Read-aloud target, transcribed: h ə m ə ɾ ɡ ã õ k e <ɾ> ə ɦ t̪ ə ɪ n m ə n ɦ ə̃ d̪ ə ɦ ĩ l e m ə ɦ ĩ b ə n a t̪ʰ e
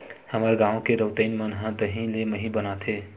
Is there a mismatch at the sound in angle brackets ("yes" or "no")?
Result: no